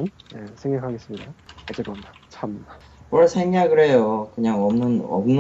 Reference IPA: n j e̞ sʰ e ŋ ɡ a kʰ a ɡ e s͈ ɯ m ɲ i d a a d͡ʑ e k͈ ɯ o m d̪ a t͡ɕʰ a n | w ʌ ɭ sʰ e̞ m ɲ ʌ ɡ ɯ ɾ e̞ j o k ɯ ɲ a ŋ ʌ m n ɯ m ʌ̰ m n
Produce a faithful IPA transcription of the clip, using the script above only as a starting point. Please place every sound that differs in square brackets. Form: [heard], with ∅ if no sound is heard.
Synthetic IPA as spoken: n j e̞ sʰ e ŋ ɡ a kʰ a ɡ e s͈ ɯ m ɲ i d a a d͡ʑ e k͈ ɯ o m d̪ a t͡ɕʰ a [m] | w ʌ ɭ sʰ e̞ [ŋ] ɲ [a] ɡ ɯ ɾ e̞ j o k ɯ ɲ a ŋ ʌ m n ɯ [n] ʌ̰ m n